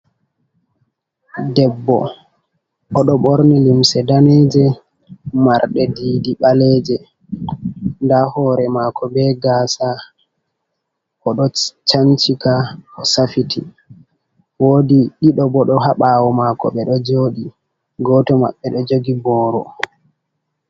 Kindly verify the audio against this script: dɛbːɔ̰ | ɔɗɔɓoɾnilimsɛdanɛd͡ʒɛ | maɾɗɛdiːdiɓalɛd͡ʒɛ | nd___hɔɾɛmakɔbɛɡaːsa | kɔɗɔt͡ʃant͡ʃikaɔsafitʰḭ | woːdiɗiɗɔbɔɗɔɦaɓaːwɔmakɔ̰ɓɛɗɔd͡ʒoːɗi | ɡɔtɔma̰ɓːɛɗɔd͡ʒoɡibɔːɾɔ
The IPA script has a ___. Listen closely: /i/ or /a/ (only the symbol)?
a